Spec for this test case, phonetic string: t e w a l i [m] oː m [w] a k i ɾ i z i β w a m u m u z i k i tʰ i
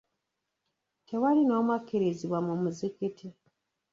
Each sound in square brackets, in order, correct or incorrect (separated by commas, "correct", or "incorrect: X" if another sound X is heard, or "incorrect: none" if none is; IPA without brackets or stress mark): incorrect: n, correct